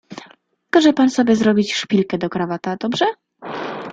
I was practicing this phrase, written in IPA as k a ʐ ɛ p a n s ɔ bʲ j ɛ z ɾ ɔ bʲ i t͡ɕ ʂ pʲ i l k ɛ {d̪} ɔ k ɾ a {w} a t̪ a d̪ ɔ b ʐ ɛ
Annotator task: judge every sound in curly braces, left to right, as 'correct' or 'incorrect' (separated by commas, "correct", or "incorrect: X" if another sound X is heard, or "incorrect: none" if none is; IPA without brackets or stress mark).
correct, incorrect: v